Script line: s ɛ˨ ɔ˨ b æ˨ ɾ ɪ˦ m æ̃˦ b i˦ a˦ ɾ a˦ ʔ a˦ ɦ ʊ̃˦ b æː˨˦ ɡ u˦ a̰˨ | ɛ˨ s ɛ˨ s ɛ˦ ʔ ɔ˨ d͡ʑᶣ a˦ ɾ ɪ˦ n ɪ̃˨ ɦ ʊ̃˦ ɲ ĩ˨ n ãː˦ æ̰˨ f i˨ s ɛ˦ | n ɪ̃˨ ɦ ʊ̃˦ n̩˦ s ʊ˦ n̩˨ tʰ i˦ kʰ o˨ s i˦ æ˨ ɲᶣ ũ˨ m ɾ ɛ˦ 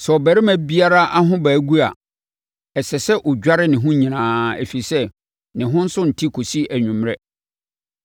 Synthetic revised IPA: s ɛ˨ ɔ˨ b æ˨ ɾ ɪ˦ m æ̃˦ b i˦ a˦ ɾ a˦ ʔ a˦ ɦ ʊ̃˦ b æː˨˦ ɡ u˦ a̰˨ | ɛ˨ s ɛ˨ s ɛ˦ ʔ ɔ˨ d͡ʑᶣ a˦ ɾ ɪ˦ n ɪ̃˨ ɦ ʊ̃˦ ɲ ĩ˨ n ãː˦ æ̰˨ f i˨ s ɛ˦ | n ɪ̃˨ ɦ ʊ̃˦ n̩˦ s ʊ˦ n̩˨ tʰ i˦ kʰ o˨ s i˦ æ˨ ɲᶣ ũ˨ m ɾ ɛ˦